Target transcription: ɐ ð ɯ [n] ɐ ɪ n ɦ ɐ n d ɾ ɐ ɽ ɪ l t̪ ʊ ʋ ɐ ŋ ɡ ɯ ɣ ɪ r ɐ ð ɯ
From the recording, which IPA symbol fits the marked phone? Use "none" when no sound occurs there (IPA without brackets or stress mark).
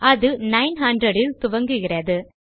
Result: n